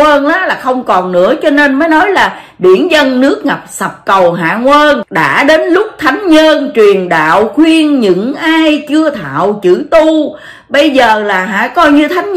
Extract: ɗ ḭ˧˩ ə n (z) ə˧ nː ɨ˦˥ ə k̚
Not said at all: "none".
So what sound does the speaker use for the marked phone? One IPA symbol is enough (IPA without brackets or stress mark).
z